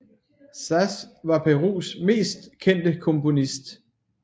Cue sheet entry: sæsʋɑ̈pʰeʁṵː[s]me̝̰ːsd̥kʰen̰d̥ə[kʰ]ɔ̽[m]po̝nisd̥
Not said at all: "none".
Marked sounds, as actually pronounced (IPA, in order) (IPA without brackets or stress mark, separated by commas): s, kʰ, m